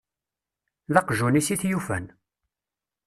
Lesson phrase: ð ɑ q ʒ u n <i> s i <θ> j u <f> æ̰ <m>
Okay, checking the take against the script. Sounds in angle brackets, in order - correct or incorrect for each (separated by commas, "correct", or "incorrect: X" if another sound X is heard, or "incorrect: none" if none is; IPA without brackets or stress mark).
correct, correct, correct, incorrect: n